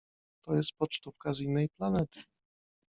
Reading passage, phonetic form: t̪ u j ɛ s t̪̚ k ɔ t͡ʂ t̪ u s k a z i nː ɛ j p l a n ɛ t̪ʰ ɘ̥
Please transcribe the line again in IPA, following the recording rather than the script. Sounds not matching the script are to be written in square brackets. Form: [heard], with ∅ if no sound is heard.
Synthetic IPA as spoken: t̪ [ɔ] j ɛ s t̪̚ [p] ɔ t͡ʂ t̪ u [f] k a z i nː ɛ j p l a n ɛ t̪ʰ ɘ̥

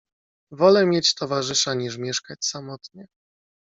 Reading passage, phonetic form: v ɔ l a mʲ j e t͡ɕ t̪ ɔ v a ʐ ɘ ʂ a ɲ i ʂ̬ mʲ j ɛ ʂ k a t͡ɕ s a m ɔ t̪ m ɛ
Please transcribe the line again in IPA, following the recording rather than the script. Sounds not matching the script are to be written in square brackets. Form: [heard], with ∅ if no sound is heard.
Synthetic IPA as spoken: v ɔ l [ɛ] mʲ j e t͡ɕ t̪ ɔ v a ʐ ɘ ʂ a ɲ i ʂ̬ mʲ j ɛ ʂ k a t͡ɕ s a m ɔ t̪ [ɲ] ɛ

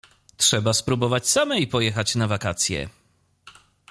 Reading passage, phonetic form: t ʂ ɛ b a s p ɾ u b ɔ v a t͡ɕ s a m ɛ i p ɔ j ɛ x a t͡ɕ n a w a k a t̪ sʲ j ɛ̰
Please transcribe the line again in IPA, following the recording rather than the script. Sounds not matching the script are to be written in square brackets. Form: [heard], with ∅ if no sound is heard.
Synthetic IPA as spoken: t ʂ ɛ b a s p ɾ u b ɔ v a t͡ɕ s a m ɛ i p ɔ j ɛ x a t͡ɕ n a [v] a k a t̪ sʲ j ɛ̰

